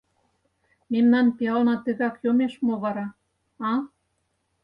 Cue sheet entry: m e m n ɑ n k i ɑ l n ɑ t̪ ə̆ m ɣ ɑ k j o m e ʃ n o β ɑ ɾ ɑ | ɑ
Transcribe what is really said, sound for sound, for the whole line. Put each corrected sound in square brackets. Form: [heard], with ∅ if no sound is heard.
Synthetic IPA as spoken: m e m n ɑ n [p] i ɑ l n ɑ t̪ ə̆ [∅] ɣ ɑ k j o m e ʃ [m] o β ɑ ɾ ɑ | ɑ